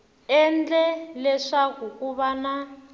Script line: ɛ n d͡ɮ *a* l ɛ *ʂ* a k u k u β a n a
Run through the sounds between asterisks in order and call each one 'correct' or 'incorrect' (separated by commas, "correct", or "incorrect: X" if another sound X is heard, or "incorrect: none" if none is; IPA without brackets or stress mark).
incorrect: ɛ, correct